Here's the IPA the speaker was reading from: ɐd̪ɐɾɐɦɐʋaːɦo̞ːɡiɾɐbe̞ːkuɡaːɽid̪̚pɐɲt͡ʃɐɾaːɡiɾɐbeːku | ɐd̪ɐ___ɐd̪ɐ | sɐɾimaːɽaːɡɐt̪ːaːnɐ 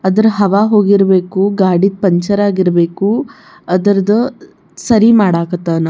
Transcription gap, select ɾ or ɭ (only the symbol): ɾ